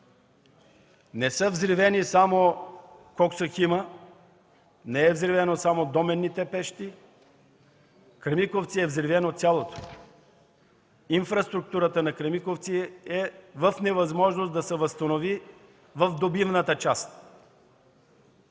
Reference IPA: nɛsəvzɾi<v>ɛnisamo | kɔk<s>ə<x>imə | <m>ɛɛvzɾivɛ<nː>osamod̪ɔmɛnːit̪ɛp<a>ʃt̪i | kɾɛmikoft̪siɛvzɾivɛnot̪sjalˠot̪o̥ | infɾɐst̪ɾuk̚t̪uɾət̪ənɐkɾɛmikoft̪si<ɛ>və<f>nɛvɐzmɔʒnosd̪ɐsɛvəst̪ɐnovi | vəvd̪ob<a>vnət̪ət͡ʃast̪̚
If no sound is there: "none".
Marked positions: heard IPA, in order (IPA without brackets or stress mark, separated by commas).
v, s, x, n, n, ɛ, ɛ, f, i